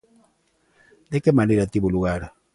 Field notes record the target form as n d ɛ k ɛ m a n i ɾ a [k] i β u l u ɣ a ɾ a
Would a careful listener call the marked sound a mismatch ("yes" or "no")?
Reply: yes